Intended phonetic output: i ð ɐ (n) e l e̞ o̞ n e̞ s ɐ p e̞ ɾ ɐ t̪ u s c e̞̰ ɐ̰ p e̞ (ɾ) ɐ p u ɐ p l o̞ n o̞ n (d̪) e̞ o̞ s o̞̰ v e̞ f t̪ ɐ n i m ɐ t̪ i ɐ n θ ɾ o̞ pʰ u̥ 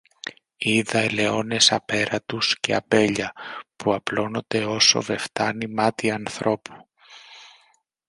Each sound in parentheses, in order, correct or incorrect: incorrect, incorrect, correct

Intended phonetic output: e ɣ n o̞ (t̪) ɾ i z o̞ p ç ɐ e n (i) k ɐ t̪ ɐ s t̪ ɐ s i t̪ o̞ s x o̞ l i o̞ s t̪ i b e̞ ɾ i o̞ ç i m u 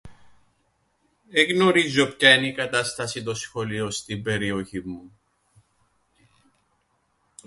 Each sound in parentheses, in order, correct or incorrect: incorrect, correct

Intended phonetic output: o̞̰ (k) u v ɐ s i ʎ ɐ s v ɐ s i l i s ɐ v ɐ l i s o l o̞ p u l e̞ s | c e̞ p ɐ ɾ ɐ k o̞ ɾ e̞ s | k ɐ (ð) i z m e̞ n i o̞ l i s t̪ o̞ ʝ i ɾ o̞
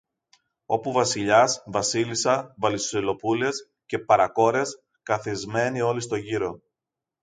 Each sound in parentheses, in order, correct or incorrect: incorrect, incorrect

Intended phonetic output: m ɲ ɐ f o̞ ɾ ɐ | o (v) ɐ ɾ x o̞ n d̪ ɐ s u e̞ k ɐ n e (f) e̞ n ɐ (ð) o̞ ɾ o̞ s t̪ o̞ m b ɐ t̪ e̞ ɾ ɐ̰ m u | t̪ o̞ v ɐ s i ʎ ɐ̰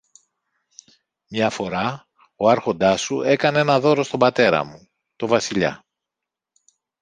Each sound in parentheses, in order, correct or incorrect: incorrect, incorrect, correct

